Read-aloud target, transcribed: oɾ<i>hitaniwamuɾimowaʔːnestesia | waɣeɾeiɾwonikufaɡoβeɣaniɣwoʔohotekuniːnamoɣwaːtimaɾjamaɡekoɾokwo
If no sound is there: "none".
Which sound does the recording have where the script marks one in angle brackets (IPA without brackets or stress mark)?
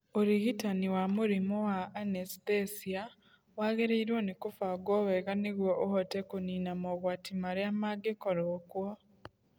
i